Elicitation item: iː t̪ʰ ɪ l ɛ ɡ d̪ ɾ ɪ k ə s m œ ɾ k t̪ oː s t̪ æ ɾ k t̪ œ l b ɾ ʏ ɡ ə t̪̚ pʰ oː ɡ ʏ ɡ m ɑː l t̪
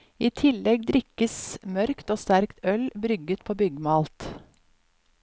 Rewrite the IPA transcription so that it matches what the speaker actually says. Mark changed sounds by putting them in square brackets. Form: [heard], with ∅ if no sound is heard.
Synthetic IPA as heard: iː t̪ʰ ɪ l ɛ ɡ d̪ ɾ ɪ k ə s m œ ɾ k t̪ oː s t̪ æ ɾ k t̪ œ l b ɾ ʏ ɡ ə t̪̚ pʰ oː [b] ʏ ɡ m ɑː l t̪